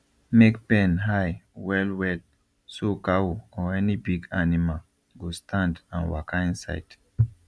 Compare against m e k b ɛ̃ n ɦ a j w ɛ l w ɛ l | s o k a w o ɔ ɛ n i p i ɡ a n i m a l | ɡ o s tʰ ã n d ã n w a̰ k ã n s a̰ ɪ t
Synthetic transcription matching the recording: m e k p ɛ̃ n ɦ a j w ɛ l w ɛ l | s o k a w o ɔ ɛ n i b i ɡ a n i m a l | ɡ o s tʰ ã n d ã n w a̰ k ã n s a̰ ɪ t